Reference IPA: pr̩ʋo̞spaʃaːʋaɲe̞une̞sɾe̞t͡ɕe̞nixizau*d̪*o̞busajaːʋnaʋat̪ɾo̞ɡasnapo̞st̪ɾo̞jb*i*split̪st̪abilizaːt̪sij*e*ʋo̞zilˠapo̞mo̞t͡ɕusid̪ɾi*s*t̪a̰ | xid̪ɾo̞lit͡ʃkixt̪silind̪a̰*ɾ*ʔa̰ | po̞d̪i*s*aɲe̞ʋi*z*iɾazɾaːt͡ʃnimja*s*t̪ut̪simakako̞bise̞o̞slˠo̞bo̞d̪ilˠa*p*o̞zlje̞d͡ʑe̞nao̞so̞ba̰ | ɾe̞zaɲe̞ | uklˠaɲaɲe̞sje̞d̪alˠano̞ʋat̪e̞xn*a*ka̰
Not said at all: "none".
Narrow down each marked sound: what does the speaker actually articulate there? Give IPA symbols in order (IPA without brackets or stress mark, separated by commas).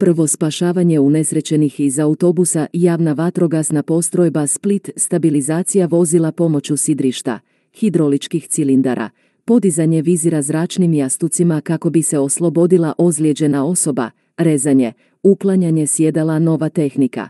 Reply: t̪, a, a, ʃ, ɾ, z, z, s, ʔ, i